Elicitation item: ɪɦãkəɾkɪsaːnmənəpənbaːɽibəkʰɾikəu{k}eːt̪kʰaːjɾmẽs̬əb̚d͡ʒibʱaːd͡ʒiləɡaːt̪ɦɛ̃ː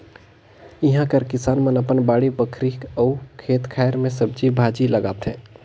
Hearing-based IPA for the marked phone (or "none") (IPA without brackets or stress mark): kʰ